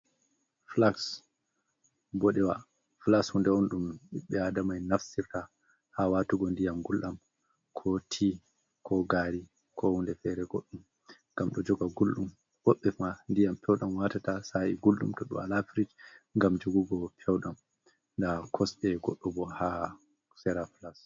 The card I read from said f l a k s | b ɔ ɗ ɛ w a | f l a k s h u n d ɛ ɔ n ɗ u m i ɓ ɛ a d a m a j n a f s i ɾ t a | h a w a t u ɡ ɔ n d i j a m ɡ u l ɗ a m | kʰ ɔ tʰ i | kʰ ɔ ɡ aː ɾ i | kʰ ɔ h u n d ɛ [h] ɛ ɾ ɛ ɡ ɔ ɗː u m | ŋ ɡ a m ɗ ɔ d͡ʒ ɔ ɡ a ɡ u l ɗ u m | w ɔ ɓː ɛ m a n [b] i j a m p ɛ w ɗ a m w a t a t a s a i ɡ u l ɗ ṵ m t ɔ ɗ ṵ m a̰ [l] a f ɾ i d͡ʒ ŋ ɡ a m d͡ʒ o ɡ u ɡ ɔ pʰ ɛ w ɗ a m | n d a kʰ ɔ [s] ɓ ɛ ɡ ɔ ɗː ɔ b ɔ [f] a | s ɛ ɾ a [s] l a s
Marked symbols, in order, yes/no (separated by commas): no, no, yes, yes, no, no